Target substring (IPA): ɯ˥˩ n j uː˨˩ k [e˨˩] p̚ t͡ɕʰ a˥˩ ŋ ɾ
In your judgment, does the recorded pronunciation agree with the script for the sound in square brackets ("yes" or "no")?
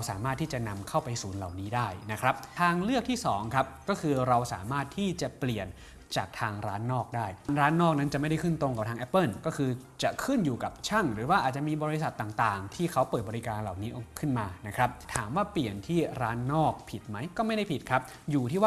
no